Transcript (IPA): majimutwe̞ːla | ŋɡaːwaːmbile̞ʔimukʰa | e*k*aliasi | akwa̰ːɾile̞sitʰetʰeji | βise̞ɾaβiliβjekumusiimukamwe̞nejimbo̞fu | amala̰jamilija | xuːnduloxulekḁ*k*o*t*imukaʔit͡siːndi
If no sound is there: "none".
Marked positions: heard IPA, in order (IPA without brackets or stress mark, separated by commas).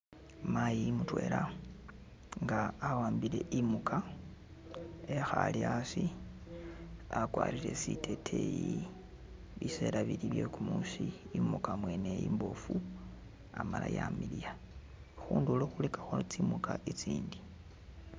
x, x, t͡s